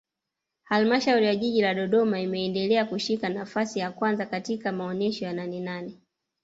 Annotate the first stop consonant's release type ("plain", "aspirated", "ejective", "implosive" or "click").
implosive